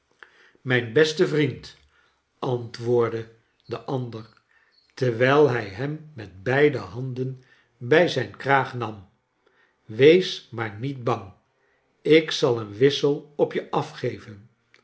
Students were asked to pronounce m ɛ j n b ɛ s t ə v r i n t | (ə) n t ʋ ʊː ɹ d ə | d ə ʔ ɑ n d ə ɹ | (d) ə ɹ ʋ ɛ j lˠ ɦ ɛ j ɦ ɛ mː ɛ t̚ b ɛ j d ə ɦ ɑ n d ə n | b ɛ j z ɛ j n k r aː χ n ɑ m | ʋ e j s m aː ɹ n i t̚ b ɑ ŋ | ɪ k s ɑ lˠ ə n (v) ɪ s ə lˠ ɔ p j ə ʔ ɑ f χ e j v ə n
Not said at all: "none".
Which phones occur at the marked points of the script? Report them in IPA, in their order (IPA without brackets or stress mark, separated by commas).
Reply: ɑ, t, ʋ